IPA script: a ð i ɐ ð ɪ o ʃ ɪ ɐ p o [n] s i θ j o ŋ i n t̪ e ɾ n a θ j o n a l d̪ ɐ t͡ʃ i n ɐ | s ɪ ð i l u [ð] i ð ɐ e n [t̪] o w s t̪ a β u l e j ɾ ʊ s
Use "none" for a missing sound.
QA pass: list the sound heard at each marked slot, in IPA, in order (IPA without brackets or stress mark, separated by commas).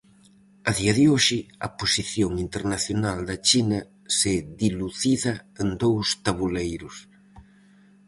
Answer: none, θ, d̪